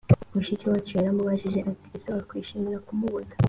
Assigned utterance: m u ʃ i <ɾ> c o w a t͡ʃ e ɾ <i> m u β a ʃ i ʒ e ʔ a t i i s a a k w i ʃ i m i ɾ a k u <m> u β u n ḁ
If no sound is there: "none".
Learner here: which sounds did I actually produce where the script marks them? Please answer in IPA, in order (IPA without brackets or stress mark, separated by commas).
none, a, m